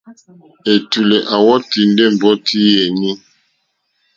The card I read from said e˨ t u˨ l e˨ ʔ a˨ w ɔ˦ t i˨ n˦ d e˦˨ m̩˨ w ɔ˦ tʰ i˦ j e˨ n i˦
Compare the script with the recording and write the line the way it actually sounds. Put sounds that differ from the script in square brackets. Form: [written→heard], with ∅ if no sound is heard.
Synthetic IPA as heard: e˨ t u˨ l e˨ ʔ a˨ w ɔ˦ t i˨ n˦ d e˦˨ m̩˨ [w→b] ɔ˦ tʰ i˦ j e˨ n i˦